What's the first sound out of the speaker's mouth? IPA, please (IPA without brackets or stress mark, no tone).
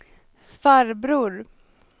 f